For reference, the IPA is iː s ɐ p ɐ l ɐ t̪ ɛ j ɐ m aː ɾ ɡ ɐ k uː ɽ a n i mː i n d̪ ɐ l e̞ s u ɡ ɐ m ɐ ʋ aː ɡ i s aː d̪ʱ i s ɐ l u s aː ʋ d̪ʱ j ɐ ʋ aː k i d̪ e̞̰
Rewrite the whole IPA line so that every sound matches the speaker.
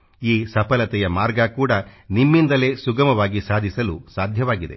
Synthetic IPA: iː s ɐ p ɐ l ɐ t̪ ɛ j ɐ m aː ɾ ɡ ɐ k uː ɽ ɐ n i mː i n d̪ ɐ l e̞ s u ɡ ɐ m ɐ ʋ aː ɡ i s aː d̪ʱ i s ɐ l u s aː d̪ʱ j ɐ ʋ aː ɡ i d̪ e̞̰